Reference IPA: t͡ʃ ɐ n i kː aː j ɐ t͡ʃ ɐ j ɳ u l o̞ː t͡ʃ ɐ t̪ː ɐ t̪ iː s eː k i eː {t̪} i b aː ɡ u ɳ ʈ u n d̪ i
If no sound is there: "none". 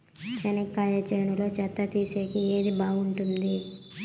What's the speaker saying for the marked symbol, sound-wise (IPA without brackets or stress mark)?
d̪